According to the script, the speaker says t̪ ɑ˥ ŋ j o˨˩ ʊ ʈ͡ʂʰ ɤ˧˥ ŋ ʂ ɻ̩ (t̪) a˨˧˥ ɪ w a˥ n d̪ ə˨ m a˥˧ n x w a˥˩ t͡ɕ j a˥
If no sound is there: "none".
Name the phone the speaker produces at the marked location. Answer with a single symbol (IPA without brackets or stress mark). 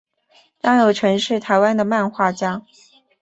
t̪ʰ